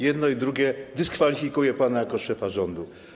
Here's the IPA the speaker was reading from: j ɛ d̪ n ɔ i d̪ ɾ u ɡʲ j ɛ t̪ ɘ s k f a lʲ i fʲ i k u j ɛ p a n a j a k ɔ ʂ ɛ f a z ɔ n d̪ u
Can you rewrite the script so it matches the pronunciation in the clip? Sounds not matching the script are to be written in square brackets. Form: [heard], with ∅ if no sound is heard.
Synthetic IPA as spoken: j ɛ d̪ n ɔ i d̪ ɾ u ɡʲ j ɛ [d̪] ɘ s k f a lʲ i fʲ i k u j ɛ p a n a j a k ɔ ʂ ɛ f a [ʐ] ɔ n d̪ u